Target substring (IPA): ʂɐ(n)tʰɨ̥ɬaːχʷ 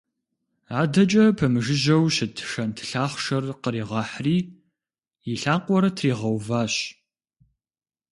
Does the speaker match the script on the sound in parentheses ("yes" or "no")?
yes